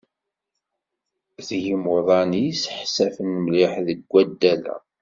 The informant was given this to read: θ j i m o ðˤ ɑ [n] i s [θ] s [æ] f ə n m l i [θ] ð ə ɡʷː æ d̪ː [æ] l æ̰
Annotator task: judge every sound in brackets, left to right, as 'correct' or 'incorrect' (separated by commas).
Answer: correct, incorrect, correct, incorrect, correct